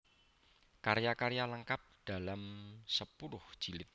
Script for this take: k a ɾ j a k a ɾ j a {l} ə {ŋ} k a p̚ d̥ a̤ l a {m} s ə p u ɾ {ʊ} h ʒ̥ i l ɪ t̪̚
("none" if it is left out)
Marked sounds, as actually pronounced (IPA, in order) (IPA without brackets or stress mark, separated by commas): l, ŋ, m, ʊ